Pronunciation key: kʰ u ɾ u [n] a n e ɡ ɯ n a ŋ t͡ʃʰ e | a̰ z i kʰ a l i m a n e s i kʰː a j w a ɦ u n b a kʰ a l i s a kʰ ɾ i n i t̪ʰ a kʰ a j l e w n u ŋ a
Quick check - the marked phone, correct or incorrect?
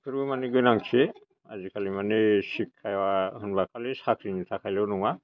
incorrect: m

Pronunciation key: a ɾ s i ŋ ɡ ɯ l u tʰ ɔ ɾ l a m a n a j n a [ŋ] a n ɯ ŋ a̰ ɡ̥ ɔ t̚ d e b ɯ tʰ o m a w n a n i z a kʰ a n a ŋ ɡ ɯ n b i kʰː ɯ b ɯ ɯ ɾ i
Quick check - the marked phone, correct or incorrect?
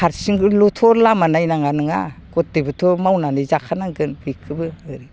correct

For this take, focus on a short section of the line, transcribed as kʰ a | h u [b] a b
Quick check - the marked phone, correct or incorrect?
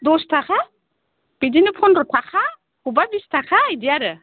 correct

